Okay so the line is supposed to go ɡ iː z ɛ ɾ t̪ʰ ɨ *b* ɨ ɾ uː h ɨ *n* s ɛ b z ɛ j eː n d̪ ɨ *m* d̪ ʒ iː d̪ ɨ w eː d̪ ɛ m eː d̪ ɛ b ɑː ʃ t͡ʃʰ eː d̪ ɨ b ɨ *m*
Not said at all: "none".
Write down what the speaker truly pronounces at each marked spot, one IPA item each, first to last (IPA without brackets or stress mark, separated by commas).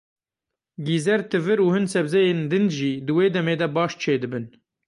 v, n, n, n